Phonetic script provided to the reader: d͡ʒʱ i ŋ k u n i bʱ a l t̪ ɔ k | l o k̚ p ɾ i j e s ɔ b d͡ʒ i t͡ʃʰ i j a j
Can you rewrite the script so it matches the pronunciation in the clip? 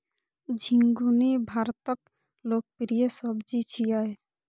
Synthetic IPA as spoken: d͡ʒʱ i ŋ ɡ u n i bʱ a ɾ t̪ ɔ k | l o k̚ p ɾ i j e s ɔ b d͡ʒ i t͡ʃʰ i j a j